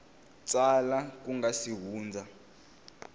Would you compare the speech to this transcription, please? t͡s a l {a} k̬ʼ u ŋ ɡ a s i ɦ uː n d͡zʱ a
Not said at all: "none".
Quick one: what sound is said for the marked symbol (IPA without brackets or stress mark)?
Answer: a